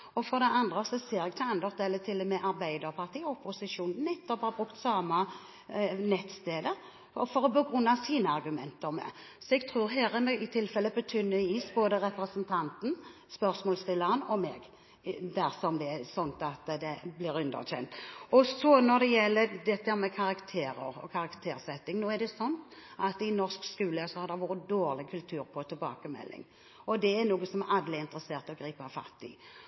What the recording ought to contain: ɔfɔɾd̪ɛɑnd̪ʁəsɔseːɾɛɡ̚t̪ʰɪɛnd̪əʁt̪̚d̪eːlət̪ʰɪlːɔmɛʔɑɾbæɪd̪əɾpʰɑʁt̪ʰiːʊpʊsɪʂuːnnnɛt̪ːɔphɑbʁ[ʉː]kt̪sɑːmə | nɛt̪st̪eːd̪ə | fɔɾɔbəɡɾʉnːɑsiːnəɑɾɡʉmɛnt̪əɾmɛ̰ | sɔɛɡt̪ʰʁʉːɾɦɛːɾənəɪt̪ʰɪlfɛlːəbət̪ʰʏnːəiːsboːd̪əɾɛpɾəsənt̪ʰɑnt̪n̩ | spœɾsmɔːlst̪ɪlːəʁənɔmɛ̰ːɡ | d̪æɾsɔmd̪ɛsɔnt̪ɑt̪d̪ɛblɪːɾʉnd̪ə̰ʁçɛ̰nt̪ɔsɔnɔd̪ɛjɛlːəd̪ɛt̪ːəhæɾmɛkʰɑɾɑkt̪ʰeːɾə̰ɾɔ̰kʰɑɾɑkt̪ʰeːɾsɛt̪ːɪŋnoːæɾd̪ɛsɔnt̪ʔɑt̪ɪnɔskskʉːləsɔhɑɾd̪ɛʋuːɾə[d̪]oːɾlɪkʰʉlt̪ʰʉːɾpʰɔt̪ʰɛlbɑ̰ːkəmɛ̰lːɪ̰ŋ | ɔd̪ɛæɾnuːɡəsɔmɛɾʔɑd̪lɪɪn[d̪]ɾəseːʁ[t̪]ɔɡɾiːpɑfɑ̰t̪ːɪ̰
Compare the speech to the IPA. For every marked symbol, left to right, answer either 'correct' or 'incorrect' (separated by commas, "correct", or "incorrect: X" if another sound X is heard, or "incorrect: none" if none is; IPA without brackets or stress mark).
incorrect: ʉ, correct, incorrect: t̪, correct